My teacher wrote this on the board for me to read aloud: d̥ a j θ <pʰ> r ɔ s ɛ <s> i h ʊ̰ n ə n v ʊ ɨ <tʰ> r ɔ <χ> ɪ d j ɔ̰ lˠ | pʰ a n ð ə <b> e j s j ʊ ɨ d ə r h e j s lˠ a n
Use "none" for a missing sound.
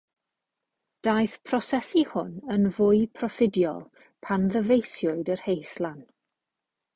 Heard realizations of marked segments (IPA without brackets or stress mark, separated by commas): pʰ, s, pʰ, f, v